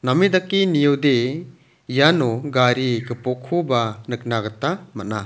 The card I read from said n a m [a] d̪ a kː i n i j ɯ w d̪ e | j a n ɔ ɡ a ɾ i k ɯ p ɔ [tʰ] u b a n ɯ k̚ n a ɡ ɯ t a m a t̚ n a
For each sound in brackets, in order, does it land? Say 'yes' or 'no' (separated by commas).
no, no